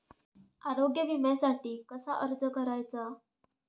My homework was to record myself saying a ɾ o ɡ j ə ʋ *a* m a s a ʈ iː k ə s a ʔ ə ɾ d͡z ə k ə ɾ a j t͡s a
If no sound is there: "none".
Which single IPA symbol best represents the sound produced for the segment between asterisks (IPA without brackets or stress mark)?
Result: i